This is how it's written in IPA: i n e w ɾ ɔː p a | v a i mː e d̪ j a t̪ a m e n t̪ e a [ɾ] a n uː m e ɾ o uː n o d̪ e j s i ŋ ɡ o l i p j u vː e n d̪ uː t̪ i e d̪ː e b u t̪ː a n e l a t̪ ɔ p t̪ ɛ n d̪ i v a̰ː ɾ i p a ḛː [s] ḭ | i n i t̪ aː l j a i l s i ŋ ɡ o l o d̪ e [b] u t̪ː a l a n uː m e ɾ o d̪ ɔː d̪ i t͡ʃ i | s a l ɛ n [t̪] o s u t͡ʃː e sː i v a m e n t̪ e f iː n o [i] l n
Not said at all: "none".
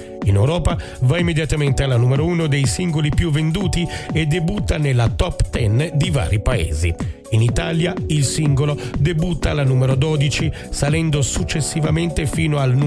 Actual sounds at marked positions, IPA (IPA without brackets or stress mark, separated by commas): l, z, b, d̪, a